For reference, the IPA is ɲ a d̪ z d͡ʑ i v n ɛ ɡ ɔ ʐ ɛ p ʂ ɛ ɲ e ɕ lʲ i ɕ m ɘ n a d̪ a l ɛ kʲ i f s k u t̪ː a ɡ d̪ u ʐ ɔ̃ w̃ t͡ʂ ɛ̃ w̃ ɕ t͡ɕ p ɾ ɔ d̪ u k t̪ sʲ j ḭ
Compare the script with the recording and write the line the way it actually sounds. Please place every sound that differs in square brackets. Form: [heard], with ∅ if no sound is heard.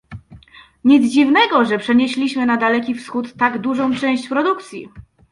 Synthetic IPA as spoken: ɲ [i] d̪ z d͡ʑ i v n ɛ ɡ ɔ ʐ ɛ p ʂ ɛ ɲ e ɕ lʲ i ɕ m ɘ n a d̪ a l ɛ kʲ i f s [x] u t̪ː a ɡ d̪ u ʐ ɔ̃ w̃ t͡ʂ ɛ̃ w̃ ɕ t͡ɕ p ɾ ɔ d̪ u k t̪ sʲ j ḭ

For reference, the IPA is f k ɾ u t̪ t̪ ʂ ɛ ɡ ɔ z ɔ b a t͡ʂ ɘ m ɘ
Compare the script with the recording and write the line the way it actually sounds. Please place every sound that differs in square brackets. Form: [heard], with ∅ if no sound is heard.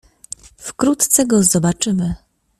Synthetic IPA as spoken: f k ɾ u t̪ t̪ [s] ɛ ɡ ɔ z ɔ b a t͡ʂ ɘ m ɘ

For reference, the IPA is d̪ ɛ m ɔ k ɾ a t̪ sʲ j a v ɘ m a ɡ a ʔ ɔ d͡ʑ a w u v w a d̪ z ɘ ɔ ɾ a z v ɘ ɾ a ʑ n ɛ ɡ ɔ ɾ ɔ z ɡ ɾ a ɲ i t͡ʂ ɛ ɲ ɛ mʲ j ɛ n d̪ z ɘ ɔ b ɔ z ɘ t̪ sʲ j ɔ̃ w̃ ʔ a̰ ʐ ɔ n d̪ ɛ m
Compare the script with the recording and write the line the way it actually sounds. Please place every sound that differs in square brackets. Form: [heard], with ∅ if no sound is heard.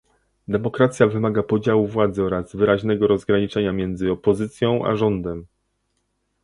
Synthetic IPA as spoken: d̪ ɛ m ɔ k ɾ a t̪ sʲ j a v ɘ m a ɡ a [p] ɔ d͡ʑ a w u v w a d̪ z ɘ ɔ ɾ a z v ɘ ɾ a ʑ n ɛ ɡ ɔ ɾ ɔ z ɡ ɾ a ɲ i t͡ʂ ɛ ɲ [a] mʲ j ɛ n d̪ z ɘ ɔ [p] ɔ z ɘ t̪ sʲ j ɔ̃ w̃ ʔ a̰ ʐ ɔ n d̪ ɛ m

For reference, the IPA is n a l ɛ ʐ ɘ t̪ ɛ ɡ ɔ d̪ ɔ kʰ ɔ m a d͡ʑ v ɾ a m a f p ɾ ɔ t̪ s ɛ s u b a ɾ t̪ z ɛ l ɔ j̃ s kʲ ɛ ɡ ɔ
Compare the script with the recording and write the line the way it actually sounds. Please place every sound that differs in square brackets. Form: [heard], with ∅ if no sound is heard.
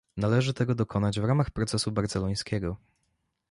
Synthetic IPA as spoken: n a l ɛ ʐ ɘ t̪ ɛ ɡ ɔ d̪ ɔ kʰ ɔ [n] a d͡ʑ v ɾ a m a [x] p ɾ ɔ t̪ s ɛ s u b a ɾ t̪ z ɛ l ɔ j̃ s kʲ ɛ ɡ ɔ

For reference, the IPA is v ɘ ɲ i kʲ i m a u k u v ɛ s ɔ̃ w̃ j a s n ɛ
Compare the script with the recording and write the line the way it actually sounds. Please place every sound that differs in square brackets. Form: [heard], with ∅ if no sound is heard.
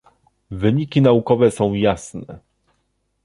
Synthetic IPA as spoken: v ɘ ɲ i kʲ i [n] a u k [ɔ] v ɛ s ɔ̃ w̃ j a s n ɛ

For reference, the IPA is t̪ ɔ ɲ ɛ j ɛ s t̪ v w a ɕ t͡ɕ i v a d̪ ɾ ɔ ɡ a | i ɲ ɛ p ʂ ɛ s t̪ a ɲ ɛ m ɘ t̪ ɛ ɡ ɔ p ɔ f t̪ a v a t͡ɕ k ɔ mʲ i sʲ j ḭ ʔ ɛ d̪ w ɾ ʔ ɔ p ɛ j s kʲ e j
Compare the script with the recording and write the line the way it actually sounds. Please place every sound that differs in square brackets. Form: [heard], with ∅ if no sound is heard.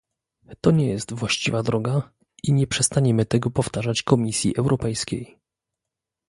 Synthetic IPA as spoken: t̪ ɔ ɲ ɛ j ɛ s t̪ v w a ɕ t͡ɕ i v a d̪ ɾ ɔ ɡ a | i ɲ ɛ p ʂ ɛ s t̪ a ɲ ɛ m ɘ t̪ ɛ ɡ ɔ p ɔ f t̪ a [ʐ] a t͡ɕ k ɔ mʲ i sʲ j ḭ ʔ ɛ [∅] w ɾ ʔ ɔ p ɛ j s kʲ e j

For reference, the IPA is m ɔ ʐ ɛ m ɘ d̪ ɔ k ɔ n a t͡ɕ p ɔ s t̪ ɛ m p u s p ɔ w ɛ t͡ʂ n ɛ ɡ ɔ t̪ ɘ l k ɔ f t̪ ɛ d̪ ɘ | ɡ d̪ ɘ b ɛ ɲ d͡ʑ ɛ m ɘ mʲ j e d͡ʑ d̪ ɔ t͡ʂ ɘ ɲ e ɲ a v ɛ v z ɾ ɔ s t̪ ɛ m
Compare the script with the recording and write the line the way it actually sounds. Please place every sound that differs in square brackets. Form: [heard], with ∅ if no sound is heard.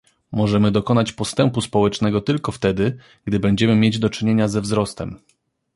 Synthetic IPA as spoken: m ɔ ʐ ɛ m ɘ d̪ ɔ k ɔ n a t͡ɕ p ɔ s t̪ ɛ m p u s p ɔ w ɛ t͡ʂ n ɛ ɡ ɔ t̪ ɘ l k ɔ f t̪ ɛ d̪ ɘ | ɡ d̪ ɘ b ɛ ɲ d͡ʑ ɛ m ɘ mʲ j e d͡ʑ d̪ ɔ t͡ʂ ɘ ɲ e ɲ a [z] ɛ v z ɾ ɔ s t̪ ɛ m

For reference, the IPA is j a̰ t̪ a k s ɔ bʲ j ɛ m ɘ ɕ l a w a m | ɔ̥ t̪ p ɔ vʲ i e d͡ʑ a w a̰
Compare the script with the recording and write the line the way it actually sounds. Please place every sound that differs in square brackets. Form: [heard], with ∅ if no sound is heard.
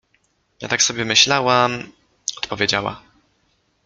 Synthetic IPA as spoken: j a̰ t̪ a k s ɔ bʲ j ɛ m ɘ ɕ l a w a m | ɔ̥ t̪ p ɔ vʲ [j] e d͡ʑ a w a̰

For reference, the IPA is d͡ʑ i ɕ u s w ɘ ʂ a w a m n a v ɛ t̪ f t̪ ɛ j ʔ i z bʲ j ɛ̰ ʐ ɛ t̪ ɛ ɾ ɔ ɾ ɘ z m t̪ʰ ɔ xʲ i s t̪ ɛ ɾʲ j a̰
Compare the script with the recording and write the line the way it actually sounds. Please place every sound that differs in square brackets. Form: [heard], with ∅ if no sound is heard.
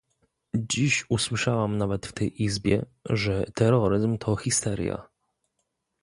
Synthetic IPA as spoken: d͡ʑ i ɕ u s w ɘ ʂ a w a m n a v ɛ t̪ f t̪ ɛ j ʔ i z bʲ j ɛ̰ ʐ ɛ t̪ ɛ ɾ ɔ ɾ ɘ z m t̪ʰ ɔ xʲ i s t̪ ɛ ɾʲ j a̰

